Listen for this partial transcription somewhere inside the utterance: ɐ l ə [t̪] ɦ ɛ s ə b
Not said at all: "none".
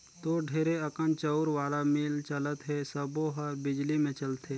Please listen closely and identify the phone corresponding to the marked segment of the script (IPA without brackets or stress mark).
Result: t̪